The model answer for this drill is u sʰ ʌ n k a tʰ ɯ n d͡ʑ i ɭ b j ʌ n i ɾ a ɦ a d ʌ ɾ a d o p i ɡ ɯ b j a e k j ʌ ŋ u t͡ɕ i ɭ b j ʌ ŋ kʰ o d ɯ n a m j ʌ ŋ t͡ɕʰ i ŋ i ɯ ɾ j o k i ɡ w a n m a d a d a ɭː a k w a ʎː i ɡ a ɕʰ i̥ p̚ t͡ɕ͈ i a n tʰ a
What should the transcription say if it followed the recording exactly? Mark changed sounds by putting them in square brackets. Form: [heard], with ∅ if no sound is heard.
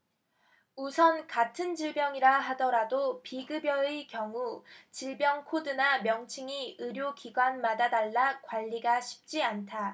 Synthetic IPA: u sʰ ʌ n k a tʰ ɯ n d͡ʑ i ɭ b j ʌ [ŋ] i ɾ a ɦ a d ʌ ɾ a d o p i ɡ ɯ b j [ʌ] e k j ʌ ŋ u t͡ɕ i ɭ b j ʌ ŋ kʰ o d ɯ n a m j ʌ ŋ t͡ɕʰ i ŋ i ɯ ɾ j o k i ɡ w a n m a d a d a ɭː a k w a ʎː i ɡ a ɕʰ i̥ p̚ t͡ɕ͈ i a n tʰ a